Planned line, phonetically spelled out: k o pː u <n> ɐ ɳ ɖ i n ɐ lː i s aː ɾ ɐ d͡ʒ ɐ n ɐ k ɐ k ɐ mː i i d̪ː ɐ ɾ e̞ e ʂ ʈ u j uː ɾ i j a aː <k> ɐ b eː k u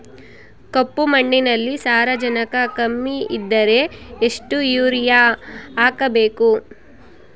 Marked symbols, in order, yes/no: no, yes

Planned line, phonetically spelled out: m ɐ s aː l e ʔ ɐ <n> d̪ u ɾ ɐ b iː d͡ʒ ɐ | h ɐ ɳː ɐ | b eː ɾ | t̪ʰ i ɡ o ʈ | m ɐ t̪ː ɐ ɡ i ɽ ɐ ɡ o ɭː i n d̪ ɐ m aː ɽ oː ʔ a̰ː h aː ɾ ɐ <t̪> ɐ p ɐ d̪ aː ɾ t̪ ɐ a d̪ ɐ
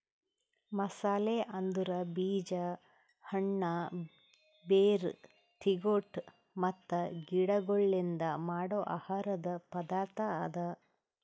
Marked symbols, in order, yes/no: yes, no

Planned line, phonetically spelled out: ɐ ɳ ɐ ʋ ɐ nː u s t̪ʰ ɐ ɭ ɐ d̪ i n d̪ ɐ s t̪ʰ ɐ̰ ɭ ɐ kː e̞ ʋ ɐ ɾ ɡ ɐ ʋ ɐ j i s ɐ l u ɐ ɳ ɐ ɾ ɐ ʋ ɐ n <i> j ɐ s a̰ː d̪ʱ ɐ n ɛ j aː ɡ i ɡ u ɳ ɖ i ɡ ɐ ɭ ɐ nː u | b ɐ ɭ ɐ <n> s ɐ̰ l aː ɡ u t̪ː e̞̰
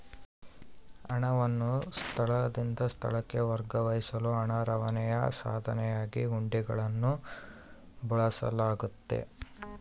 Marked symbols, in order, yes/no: no, no

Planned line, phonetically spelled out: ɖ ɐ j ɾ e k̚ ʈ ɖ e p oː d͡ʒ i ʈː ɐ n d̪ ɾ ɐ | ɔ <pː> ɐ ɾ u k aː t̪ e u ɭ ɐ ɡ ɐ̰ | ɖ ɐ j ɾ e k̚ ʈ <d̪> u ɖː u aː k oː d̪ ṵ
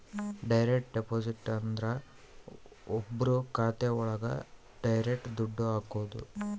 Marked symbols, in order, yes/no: no, yes

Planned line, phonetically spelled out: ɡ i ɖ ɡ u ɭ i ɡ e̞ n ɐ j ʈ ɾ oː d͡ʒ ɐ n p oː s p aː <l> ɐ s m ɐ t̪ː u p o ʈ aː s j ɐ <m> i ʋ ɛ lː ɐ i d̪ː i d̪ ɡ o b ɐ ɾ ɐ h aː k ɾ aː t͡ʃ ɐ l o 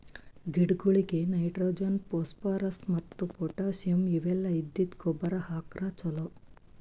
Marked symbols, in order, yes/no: no, yes

